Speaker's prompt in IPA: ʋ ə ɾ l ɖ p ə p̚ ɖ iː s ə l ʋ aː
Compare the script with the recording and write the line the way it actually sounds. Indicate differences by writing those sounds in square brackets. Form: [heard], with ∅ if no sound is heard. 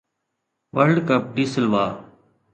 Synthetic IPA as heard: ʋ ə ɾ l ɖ [k] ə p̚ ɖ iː s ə l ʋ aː